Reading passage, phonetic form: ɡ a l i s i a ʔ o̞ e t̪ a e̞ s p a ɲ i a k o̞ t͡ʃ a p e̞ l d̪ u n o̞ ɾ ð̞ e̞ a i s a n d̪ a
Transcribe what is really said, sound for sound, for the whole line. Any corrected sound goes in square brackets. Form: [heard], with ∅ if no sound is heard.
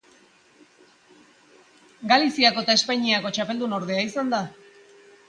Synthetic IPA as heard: ɡ a l i s i a [k] o̞ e t̪ a e̞ s p a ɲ i a k o̞ t͡ʃ a p e̞ l d̪ u n o̞ ɾ ð̞ e̞ a i s a n d̪ a